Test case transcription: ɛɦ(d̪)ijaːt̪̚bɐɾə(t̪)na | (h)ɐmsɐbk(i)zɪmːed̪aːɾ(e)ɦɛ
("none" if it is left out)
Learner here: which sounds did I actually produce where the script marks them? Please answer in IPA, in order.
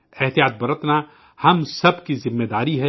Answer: t̪, t̪, h, i, i

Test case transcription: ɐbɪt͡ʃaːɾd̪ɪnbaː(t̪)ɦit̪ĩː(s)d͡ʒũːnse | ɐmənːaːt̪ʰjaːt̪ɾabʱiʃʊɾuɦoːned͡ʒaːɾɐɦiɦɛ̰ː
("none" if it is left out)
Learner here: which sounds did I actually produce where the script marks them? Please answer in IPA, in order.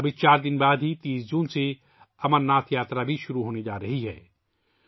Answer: d̪, s

